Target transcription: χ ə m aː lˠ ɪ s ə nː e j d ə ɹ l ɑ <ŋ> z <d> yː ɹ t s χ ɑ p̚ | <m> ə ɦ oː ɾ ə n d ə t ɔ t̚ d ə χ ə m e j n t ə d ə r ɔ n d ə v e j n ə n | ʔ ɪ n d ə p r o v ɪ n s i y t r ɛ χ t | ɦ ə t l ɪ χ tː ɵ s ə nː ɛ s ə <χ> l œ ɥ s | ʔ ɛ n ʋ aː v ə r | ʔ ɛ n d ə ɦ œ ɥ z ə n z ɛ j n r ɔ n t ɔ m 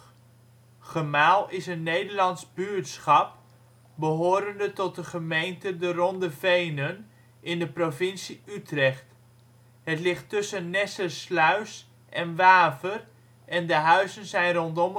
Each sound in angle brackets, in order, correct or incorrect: incorrect: n, incorrect: b, incorrect: b, incorrect: s

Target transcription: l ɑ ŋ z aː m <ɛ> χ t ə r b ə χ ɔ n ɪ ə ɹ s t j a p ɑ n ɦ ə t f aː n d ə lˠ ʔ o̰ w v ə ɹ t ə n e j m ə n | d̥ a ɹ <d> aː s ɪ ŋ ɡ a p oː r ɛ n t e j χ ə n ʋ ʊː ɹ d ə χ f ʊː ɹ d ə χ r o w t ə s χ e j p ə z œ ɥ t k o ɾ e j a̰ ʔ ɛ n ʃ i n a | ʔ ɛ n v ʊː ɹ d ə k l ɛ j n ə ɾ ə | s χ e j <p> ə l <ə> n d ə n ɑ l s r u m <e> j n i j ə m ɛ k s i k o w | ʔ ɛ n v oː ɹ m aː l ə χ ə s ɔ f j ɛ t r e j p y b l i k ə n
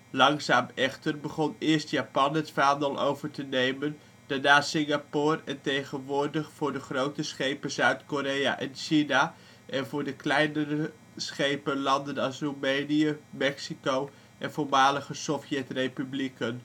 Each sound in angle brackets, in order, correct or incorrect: correct, incorrect: n, correct, incorrect: ɑ, correct

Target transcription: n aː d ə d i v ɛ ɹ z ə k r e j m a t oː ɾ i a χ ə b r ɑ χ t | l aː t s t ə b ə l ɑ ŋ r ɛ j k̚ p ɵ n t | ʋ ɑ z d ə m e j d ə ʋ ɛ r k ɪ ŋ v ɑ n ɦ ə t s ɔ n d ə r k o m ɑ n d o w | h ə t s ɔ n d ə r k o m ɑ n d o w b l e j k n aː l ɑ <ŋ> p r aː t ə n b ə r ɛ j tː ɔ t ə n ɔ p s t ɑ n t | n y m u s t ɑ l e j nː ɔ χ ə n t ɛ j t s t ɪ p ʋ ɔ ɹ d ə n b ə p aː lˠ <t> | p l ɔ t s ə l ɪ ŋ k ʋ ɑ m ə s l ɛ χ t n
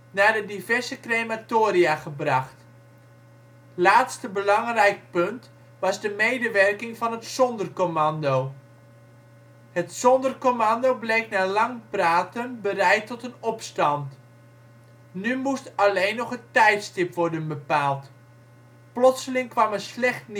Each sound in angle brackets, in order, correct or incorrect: correct, correct

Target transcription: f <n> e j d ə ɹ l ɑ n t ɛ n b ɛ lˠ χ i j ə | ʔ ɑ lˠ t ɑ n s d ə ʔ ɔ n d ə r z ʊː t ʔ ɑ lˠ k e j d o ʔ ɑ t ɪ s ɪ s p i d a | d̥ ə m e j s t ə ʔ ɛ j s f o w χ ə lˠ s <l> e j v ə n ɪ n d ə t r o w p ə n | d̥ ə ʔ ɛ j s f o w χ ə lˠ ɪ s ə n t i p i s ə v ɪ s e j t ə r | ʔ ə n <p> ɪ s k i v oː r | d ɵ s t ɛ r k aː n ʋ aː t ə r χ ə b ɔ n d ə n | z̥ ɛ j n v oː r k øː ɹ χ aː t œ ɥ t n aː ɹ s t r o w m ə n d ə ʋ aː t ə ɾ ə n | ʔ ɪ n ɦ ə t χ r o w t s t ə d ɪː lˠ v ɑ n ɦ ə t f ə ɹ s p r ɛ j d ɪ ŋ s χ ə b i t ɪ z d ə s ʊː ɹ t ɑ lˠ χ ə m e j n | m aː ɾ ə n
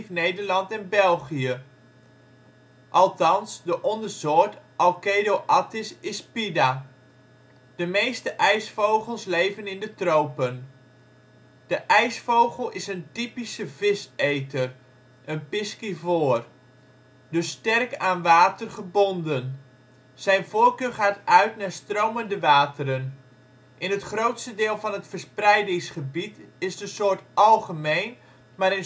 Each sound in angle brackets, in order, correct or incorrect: correct, correct, correct

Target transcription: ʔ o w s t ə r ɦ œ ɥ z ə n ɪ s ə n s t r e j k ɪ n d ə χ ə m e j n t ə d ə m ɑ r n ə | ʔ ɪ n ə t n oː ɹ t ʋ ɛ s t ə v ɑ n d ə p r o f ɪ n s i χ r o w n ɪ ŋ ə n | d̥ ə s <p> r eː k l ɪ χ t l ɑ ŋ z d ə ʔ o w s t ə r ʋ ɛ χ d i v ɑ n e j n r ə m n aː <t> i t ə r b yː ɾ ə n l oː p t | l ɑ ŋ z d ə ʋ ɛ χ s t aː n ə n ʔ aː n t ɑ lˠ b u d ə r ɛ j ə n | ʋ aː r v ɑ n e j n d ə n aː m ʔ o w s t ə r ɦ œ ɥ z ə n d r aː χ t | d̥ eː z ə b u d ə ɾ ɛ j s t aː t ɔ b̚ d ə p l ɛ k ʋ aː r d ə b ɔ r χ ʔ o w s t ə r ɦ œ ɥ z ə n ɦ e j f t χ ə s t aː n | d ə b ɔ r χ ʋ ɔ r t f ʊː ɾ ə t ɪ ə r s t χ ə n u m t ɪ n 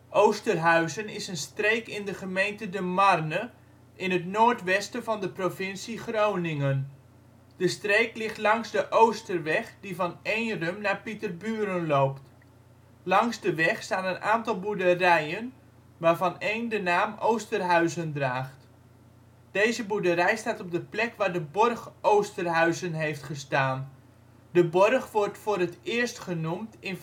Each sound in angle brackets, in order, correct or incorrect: incorrect: t, incorrect: p

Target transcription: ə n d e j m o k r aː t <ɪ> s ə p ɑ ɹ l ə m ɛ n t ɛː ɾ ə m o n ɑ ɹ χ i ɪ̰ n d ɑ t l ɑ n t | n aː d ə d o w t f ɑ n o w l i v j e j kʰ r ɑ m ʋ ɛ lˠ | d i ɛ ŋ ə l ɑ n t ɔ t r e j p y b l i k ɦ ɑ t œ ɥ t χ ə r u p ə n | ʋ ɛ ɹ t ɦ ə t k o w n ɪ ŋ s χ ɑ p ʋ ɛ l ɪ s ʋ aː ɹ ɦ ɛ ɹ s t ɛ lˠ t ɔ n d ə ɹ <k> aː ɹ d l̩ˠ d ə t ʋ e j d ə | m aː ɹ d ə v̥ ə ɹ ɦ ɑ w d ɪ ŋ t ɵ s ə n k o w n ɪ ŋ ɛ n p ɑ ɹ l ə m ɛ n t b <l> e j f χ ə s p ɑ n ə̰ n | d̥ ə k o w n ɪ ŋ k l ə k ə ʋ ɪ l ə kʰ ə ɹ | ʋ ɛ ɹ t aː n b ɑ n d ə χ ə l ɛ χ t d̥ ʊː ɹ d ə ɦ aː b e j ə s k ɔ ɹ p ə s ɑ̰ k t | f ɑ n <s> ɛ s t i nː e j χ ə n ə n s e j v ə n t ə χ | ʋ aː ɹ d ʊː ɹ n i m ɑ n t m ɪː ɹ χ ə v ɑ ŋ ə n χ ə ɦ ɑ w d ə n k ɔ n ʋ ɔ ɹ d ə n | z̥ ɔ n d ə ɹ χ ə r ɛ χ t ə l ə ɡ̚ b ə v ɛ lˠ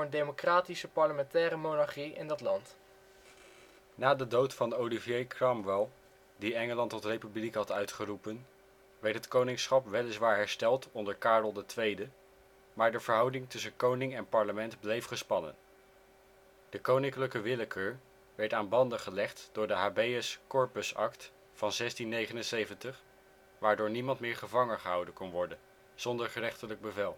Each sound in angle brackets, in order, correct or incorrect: incorrect: i, correct, correct, incorrect: z

